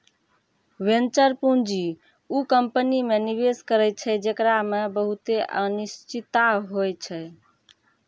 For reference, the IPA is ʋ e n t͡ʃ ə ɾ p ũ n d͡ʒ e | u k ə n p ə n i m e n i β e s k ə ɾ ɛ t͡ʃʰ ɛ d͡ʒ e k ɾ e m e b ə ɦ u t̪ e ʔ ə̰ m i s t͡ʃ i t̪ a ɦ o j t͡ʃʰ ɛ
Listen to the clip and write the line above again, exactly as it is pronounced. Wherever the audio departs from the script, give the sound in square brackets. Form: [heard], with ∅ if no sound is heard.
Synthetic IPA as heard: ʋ e n t͡ʃ ə ɾ p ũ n d͡ʒ [i] | u k ə [m] p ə n i m e n i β e s k ə ɾ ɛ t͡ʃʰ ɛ d͡ʒ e k ɾ [a] m e b ə ɦ u t̪ e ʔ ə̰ [n] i s t͡ʃ i t̪ a ɦ o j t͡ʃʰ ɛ